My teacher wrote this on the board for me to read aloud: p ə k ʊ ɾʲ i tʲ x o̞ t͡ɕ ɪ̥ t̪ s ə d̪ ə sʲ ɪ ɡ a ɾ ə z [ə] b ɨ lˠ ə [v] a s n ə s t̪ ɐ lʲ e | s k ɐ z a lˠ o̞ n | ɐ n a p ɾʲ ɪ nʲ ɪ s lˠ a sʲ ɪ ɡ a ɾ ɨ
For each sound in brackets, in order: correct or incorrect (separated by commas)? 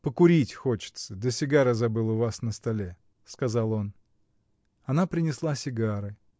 incorrect, correct